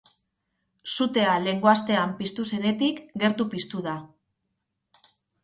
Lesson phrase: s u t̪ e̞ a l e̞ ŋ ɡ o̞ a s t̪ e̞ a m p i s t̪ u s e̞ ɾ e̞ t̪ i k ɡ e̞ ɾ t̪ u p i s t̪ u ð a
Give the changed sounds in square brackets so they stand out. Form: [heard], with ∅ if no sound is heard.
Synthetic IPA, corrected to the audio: s u t̪ e̞ a l e̞ ŋ ɡ o̞ a s t̪ e̞ a m p i s t̪ u s e̞ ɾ e̞ t̪ i k ɡ e̞ ɾ t̪ u p i s t̪ u ð a